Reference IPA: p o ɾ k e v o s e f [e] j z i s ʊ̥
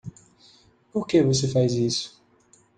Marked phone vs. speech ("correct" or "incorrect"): incorrect